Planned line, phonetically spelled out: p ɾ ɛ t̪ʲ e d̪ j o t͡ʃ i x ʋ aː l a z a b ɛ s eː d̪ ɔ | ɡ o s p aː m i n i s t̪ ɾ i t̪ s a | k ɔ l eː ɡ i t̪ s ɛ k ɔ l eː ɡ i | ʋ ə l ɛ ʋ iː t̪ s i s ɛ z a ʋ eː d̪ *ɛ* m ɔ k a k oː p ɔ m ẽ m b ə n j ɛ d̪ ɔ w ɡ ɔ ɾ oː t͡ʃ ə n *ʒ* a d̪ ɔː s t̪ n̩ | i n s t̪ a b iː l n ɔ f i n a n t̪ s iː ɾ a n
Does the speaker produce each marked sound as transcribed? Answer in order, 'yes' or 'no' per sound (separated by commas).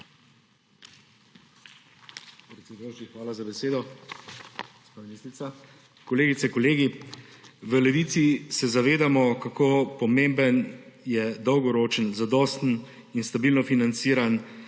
no, no